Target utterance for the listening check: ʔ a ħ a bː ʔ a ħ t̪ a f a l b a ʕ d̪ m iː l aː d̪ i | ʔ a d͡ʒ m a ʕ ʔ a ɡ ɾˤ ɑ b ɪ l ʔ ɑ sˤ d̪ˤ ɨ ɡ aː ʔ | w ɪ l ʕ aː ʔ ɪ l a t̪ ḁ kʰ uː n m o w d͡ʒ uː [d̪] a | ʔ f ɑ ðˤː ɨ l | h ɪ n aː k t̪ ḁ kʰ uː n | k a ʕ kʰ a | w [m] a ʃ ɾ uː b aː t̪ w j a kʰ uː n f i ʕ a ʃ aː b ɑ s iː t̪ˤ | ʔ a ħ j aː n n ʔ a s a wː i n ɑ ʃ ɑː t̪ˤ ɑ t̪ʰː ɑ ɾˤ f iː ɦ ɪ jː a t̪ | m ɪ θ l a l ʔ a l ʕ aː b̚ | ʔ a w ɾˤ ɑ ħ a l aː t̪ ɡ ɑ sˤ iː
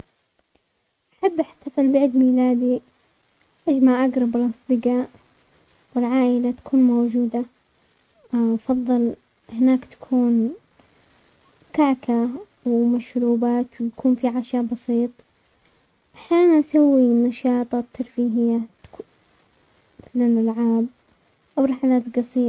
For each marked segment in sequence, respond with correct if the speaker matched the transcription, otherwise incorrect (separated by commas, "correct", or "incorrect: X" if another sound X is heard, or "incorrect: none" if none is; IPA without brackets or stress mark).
correct, correct